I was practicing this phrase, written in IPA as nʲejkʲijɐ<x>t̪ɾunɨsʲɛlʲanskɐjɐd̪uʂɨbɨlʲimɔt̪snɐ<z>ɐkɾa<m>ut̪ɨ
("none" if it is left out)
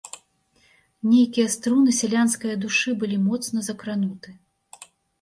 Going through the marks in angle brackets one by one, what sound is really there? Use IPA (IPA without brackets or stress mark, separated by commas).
s, z, n